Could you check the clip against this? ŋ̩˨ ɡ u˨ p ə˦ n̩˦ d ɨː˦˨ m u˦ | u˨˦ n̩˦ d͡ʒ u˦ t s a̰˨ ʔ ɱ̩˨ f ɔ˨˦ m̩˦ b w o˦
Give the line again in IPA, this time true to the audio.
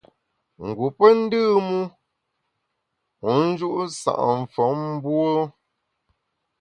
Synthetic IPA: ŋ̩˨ ɡ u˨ p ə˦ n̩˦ d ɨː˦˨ m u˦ | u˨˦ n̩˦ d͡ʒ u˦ ʔ s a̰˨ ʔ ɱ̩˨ f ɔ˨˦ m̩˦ b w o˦

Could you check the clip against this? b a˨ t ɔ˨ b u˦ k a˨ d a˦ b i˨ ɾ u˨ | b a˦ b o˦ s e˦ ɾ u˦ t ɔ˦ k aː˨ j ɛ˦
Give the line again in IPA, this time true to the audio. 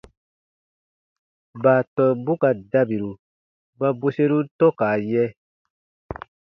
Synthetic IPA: b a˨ t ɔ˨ b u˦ k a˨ d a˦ b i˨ ɾ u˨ | b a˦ b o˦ s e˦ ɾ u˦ t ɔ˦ k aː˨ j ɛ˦

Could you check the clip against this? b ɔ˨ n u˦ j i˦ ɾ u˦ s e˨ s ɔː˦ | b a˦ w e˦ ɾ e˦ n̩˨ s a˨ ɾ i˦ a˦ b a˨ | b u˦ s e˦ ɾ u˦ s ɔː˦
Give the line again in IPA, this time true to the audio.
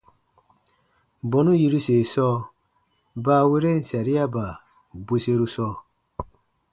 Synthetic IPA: b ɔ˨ n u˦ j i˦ ɾ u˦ s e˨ s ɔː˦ | b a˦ w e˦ ɾ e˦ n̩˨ s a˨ ɾ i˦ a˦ b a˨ | b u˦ s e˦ ɾ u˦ s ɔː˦

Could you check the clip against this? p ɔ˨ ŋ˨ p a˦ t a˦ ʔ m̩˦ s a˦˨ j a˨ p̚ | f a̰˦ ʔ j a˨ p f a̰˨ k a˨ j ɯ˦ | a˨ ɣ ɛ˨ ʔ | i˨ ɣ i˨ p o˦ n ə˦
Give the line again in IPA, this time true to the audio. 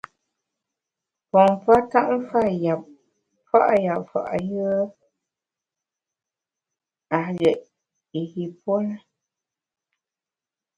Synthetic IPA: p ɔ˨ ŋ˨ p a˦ t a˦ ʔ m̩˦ f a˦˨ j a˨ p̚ | f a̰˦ ʔ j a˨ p f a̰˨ ʔ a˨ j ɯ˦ | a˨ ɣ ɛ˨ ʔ | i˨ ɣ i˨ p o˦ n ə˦

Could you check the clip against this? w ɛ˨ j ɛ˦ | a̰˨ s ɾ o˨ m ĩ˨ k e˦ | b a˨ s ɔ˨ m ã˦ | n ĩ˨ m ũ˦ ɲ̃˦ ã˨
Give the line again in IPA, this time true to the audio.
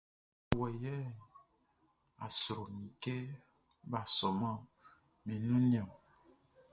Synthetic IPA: w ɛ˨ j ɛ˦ | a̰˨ s ɾ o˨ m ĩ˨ k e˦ | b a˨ s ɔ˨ m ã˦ | m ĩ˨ n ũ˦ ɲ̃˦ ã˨

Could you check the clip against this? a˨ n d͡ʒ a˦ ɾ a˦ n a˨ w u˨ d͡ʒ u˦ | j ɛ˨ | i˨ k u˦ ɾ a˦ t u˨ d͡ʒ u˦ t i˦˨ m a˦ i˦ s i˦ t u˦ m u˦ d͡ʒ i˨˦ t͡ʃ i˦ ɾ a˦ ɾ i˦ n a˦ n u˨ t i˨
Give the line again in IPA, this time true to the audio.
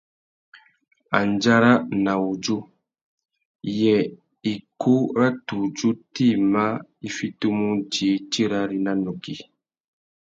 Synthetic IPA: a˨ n d͡ʒ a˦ ɾ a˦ n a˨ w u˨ d͡ʒ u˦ | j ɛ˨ | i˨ k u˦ ɾ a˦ t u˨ d͡ʒ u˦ t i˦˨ m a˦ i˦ f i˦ t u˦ m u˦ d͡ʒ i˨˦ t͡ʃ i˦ ɾ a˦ ɾ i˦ n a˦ n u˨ k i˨

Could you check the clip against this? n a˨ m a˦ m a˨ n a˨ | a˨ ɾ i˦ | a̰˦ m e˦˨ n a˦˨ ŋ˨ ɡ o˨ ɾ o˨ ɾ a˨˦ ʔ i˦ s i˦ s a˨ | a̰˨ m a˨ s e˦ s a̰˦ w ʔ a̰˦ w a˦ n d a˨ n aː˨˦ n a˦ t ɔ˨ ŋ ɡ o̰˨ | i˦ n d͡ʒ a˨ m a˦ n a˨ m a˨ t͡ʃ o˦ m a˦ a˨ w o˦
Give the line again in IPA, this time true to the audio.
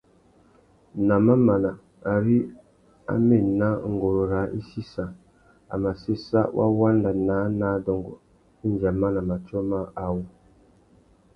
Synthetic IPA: n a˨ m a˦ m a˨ n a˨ | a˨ ɾ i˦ | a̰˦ m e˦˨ n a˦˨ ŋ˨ ɡ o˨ ɾ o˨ ɾ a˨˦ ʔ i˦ s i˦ s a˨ | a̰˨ m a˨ s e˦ s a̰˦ w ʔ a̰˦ w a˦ n d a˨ n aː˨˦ n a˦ d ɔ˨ ŋ ɡ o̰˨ | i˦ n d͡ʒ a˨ m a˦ n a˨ m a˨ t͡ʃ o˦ m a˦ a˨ w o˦

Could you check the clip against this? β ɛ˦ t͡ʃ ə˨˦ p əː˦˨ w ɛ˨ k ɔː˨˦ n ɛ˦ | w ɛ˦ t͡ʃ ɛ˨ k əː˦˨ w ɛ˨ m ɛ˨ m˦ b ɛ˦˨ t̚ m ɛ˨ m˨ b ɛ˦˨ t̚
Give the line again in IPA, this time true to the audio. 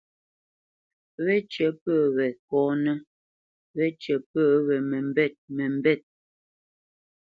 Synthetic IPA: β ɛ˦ t͡ʃ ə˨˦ p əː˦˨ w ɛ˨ k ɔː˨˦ n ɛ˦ | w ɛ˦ t͡ʃ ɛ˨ p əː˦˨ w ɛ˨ m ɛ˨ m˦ b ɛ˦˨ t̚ m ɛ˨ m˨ b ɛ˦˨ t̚

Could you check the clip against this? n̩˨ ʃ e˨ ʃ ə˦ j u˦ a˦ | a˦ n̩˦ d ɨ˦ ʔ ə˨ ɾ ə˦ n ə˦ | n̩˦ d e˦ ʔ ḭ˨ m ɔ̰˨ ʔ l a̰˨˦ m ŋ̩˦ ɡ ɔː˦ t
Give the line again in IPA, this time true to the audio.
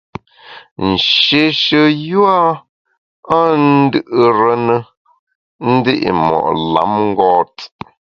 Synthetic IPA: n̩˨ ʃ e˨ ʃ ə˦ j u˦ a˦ | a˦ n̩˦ d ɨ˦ ʔ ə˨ ɾ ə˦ n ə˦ | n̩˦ d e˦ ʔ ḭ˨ m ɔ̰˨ ʔ l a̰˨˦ m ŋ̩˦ ɡ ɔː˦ t

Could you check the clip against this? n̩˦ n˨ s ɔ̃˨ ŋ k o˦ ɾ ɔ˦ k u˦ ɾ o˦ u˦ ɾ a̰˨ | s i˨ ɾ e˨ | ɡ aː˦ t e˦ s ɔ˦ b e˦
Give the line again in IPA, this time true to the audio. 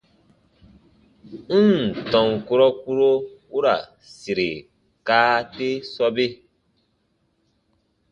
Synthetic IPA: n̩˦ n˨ t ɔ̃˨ ŋ k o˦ ɾ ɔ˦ k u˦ ɾ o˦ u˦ ɾ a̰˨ | s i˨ ɾ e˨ | k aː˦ t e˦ s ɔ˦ b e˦

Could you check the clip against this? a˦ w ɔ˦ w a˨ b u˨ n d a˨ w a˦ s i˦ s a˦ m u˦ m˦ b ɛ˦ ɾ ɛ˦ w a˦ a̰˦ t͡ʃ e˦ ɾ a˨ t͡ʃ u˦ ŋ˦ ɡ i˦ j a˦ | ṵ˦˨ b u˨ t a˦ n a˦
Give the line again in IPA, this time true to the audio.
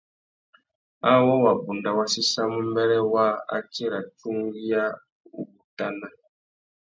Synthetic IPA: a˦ w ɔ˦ w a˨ b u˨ n d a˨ w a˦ s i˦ s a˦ m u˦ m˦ b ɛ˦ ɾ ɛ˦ w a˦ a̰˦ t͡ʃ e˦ ɾ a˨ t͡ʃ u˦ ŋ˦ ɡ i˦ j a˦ | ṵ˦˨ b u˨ t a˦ n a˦

